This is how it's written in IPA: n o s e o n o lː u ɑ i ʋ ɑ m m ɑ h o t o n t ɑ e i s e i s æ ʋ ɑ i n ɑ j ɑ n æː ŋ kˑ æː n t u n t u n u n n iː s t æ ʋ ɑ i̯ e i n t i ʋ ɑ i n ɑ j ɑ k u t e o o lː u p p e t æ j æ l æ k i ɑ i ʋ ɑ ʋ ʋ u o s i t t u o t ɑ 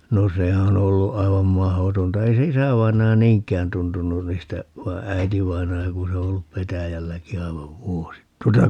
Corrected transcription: n o s e o n o lː u ɑ i ʋ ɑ m m ɑ h o t o n t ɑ e i s e i s æ ʋ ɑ i n ɑ j ɑ n iː ŋ kˑ æː n t u n t u n u n n iː s t æ ʋ ɑ i̯ æ i t i ʋ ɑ i n ɑ j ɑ k u s e o o lː u p p e t æ j æ lː æ k i ɑ i ʋ ɑ ʋ ʋ u o s i t t u o t ɑ